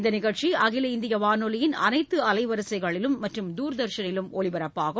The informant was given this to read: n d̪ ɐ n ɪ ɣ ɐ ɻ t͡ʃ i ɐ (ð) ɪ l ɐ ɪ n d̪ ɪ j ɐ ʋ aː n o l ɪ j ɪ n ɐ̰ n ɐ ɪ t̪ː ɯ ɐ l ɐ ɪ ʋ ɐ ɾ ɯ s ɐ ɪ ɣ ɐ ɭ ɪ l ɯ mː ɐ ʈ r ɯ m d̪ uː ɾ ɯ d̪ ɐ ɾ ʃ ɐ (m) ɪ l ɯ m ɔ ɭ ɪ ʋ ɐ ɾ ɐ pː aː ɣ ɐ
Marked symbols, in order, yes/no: no, no

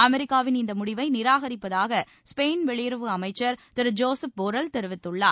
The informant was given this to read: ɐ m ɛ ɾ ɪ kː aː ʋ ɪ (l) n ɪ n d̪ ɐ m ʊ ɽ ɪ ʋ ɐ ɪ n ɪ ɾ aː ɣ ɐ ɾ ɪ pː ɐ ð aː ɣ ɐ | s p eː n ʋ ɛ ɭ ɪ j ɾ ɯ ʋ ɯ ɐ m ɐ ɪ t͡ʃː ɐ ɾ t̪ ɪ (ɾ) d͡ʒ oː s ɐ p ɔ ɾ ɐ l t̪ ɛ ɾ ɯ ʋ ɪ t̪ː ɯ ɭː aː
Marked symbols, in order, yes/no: no, yes

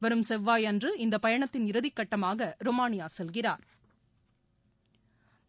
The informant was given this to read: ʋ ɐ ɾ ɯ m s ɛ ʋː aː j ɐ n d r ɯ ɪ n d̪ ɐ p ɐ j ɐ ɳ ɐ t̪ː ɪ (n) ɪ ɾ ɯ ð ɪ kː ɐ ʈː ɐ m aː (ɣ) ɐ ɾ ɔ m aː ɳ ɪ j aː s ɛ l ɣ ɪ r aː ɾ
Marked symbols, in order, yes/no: yes, yes

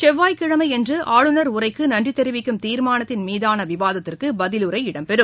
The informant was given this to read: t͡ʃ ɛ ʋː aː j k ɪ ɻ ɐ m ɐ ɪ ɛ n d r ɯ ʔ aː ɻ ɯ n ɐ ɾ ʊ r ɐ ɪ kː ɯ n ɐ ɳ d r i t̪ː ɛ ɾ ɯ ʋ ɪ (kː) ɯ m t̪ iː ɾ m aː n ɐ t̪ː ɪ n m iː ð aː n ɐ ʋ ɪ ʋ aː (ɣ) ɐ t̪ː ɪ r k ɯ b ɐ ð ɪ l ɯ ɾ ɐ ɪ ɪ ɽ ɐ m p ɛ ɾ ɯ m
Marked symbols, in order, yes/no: yes, no

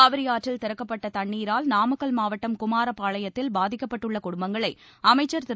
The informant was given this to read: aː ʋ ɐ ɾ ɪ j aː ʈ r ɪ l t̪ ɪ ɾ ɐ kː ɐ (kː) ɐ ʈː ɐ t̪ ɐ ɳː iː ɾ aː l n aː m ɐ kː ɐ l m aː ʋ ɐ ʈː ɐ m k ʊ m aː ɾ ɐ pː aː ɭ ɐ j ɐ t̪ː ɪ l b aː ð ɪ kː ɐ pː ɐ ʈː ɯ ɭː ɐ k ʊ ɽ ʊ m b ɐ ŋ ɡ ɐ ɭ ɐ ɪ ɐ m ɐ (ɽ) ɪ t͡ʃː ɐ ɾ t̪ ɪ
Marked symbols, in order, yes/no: no, no

